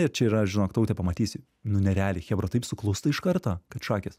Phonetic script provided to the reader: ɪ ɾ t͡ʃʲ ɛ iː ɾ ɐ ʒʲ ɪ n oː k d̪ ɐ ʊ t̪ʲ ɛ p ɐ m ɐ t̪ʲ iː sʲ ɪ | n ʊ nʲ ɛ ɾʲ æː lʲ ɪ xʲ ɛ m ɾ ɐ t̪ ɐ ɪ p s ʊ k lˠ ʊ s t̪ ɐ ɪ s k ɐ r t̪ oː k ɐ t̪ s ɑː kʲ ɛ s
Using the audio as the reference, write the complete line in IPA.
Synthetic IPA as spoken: ɪ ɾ t͡ʃʲ ɛ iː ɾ ɐ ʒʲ ɪ n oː k t̪ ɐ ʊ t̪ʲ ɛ p ɐ m ɐ t̪ʲ iː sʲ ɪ | n ʊ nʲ ɛ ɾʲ æː lʲ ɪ xʲ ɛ b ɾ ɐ t̪ ɐ ɪ p s ʊ k lˠ ʊ s t̪ ɐ ɪ ʃ k ɐ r t̪ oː k ɐ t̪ ʃ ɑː kʲ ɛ s